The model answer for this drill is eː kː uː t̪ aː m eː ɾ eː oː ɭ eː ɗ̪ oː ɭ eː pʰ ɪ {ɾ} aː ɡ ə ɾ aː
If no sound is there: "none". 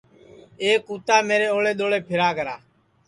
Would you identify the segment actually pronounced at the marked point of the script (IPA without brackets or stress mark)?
ɾ